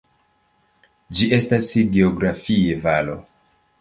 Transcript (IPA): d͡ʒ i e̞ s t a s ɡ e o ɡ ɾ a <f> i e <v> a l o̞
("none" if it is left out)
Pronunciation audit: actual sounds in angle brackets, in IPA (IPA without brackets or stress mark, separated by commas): f, v